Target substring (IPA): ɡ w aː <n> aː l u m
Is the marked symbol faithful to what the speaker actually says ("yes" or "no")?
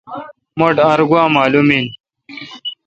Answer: no